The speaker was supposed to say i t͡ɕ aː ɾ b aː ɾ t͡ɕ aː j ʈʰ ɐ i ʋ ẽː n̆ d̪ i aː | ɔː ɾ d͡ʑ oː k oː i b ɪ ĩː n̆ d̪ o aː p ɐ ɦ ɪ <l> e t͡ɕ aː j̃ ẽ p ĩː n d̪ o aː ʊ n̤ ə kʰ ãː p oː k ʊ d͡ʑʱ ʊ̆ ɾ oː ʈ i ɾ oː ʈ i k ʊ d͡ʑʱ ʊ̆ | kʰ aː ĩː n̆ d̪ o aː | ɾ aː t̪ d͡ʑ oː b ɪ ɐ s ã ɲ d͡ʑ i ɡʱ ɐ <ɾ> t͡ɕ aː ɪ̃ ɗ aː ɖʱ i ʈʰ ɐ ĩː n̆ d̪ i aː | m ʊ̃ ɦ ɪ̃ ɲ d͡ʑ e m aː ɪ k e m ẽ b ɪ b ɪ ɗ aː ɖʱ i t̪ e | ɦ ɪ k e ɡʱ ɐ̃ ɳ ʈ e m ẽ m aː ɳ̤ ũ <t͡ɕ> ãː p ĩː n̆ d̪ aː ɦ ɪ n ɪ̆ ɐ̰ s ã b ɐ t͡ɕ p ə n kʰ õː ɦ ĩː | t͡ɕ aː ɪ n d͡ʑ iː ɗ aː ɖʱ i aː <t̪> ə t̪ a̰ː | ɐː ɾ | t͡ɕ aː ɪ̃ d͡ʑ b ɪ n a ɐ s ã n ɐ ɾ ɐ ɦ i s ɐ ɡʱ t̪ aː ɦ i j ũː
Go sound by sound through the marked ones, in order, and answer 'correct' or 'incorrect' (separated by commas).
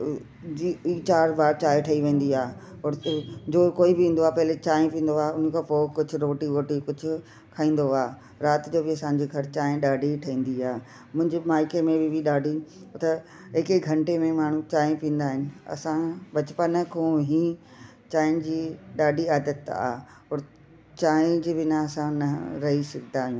correct, correct, correct, incorrect